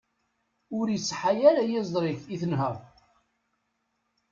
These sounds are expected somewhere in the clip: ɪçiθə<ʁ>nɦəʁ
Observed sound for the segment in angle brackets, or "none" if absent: none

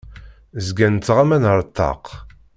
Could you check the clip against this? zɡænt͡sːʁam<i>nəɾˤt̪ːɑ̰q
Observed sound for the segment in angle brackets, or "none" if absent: æ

